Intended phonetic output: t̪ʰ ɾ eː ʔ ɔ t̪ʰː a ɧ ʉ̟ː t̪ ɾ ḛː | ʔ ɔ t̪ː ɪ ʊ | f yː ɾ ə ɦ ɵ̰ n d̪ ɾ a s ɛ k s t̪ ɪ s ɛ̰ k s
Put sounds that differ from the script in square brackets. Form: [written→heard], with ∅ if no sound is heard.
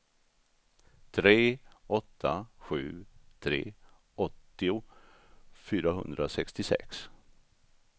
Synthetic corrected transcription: t̪ʰ ɾ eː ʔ ɔ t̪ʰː a ɧ ʉ̟ː [t̪→t̪ʰ] ɾ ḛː | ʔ ɔ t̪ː ɪ ʊ | f yː ɾ [ə→a] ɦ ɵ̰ n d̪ ɾ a s ɛ k s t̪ ɪ s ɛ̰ k s